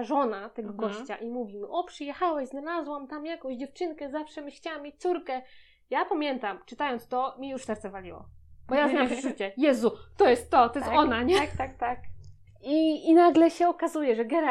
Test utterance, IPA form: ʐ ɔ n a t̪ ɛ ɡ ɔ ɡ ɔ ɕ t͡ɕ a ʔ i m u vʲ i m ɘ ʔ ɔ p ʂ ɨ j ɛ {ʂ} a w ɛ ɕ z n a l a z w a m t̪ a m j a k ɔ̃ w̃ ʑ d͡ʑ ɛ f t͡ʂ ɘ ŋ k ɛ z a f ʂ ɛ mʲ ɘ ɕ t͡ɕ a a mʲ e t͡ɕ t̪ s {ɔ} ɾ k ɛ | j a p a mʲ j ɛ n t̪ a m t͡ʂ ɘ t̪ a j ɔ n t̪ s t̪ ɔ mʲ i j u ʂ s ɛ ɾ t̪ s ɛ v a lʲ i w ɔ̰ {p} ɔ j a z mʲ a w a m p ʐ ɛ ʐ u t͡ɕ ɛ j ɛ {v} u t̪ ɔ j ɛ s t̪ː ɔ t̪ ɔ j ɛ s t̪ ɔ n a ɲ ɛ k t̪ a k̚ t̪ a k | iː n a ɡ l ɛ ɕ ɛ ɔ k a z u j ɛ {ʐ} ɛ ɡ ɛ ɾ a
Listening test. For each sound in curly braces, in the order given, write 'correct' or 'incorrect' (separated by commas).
incorrect, incorrect, incorrect, incorrect, correct